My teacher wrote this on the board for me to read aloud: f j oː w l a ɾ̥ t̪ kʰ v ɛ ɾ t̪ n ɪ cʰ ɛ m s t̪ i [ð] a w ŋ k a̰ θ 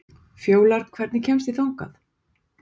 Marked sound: incorrect: θ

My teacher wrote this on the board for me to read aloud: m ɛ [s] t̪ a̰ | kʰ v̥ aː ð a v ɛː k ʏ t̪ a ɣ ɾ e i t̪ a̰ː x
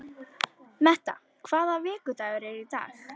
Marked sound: incorrect: h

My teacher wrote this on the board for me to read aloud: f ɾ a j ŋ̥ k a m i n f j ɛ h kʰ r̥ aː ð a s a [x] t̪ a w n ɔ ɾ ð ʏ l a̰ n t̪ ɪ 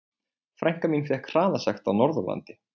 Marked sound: correct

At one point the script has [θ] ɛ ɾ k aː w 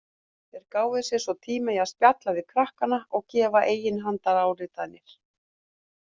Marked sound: correct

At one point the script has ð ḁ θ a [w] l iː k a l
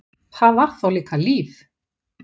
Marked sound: correct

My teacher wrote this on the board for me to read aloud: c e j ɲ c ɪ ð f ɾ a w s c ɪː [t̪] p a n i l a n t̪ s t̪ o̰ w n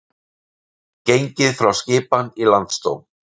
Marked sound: incorrect: none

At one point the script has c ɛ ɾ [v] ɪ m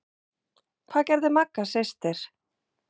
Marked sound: incorrect: ð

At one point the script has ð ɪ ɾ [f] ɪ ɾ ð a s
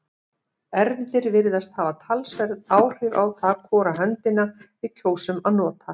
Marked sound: incorrect: v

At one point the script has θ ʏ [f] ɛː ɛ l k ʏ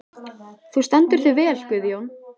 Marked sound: incorrect: v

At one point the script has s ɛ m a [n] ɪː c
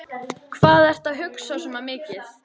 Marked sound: incorrect: m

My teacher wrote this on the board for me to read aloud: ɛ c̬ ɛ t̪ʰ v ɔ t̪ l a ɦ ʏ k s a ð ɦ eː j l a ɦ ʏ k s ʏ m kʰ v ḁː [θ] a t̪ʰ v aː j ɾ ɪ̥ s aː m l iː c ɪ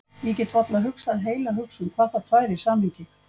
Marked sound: correct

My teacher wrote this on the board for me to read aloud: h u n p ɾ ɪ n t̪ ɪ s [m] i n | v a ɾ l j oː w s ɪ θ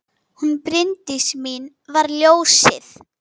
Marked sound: correct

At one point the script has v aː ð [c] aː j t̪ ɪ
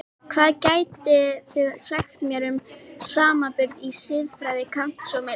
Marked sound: correct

